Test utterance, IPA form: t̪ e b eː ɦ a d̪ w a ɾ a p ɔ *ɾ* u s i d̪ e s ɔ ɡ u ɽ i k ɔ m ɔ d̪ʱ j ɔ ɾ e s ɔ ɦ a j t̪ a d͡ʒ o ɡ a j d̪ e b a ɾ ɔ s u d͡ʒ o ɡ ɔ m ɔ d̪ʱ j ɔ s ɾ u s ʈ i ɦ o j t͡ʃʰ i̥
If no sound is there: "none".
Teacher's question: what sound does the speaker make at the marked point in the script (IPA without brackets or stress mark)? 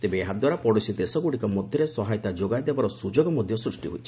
ɽ